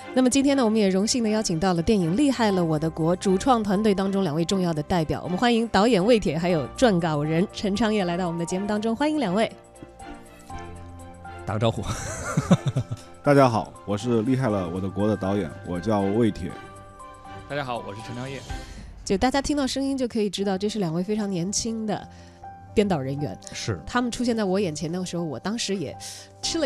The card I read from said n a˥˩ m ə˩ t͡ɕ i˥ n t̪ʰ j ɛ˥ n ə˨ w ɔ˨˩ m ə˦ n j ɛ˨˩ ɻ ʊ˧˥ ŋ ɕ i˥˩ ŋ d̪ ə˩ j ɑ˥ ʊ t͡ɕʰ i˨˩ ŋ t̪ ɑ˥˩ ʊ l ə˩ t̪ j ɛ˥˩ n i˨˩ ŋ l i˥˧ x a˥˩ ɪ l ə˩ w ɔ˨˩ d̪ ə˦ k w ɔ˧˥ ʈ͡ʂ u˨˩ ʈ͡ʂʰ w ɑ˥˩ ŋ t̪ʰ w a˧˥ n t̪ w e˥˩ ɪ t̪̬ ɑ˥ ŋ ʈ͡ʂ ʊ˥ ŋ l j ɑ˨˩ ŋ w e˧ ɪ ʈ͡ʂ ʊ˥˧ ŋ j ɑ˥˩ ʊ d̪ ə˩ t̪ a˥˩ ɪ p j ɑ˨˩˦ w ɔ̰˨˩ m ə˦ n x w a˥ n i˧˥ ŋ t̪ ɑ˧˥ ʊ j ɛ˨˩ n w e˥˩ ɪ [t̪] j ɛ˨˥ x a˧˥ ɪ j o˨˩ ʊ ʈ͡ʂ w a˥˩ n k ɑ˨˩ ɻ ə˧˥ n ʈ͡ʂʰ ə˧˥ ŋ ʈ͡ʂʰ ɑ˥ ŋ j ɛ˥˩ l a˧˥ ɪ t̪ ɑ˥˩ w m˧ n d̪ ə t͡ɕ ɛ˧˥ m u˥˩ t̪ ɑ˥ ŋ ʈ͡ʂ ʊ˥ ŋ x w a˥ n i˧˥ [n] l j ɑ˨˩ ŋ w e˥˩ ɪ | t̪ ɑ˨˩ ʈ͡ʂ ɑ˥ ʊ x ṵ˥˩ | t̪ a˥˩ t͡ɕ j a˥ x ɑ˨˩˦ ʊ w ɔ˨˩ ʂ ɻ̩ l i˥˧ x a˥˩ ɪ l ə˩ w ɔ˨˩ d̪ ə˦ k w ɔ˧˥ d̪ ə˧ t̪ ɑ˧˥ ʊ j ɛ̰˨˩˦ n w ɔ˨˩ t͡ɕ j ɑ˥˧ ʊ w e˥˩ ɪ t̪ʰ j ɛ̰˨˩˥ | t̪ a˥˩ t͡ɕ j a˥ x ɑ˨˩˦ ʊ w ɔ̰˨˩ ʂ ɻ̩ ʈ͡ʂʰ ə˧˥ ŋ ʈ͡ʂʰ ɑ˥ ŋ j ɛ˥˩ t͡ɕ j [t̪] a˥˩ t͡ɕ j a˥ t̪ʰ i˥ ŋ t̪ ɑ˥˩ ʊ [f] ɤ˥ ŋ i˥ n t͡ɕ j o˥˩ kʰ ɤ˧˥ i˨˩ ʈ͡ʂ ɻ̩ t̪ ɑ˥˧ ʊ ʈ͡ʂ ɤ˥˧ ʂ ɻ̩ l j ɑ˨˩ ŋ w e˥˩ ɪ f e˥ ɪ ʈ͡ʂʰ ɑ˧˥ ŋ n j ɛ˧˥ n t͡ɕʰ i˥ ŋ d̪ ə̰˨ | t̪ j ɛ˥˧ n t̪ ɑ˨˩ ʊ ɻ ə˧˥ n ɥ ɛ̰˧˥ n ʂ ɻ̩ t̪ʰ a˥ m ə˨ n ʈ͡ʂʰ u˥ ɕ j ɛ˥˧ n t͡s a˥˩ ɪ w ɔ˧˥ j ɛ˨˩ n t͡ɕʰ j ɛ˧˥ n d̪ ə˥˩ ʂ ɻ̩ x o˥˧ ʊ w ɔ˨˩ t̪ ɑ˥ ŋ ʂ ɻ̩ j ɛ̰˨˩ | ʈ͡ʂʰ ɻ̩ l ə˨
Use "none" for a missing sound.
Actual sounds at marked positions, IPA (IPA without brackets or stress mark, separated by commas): t̪ʰ, ŋ, t̪, ʂ